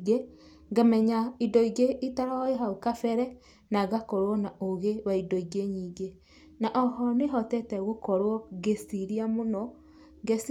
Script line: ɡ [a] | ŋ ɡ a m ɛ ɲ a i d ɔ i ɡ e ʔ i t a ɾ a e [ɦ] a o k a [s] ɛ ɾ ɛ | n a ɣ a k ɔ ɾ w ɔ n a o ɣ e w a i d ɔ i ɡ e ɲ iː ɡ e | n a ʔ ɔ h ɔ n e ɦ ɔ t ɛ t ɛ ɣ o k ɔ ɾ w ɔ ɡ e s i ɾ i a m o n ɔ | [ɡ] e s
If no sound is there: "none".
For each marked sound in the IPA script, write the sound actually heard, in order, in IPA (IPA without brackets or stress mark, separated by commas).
e, ɦ, f, ɡ